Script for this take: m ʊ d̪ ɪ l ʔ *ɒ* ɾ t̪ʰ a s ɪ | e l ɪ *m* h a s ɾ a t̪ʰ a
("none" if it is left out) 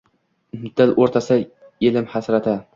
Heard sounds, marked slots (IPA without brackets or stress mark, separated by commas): o, m